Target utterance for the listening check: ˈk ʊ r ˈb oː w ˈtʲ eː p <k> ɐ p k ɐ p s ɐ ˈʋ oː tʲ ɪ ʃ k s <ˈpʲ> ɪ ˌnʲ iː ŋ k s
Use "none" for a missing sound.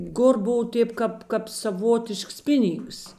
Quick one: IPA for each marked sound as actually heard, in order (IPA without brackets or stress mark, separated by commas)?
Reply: k, pʲ